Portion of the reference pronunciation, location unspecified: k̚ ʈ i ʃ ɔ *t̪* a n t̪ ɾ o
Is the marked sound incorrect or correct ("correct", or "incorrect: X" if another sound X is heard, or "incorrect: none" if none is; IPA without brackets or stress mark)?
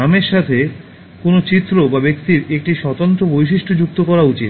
correct